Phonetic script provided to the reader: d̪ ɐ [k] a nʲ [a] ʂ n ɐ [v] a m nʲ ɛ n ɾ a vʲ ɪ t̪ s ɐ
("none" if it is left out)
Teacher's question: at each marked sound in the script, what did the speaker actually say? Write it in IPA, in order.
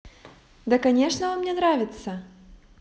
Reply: k, ɛ, v

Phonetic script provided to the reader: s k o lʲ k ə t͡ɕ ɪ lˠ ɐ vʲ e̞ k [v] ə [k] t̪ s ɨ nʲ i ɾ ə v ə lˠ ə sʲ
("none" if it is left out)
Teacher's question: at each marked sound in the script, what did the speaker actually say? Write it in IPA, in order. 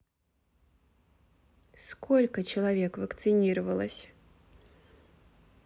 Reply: v, k

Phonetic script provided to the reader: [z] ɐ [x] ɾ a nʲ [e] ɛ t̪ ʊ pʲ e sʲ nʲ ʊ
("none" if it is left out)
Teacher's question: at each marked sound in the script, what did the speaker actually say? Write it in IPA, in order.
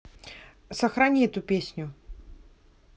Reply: s, x, i

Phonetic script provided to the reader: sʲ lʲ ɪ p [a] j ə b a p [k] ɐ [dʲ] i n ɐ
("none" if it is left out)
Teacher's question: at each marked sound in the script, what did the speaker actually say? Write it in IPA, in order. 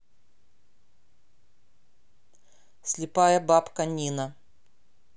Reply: a, k, nʲ

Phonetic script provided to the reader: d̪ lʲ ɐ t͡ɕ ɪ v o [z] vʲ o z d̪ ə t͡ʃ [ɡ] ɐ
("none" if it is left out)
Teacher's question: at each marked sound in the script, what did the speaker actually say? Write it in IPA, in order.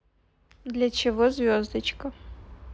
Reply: z, k

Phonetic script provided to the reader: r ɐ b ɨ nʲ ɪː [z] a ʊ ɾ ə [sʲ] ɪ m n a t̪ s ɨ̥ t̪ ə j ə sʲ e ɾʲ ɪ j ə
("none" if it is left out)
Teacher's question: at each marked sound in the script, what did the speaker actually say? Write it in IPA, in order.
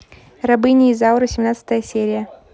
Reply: z, sʲ

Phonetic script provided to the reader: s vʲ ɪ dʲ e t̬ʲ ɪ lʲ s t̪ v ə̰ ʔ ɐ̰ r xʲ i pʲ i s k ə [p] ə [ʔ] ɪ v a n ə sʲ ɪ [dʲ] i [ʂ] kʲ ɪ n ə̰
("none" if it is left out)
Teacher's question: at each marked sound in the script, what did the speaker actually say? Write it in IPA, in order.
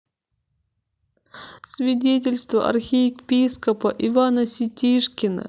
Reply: p, ʔ, tʲ, ʂ

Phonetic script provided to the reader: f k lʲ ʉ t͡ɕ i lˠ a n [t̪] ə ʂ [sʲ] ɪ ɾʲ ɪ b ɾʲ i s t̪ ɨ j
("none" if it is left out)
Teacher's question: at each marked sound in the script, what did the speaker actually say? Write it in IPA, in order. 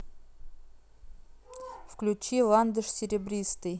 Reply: d̪, sʲ

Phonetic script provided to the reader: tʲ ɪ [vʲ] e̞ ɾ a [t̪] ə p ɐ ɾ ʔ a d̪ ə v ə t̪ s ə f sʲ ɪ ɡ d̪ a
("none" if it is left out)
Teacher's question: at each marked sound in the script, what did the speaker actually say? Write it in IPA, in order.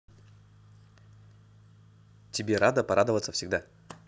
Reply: bʲ, d̪

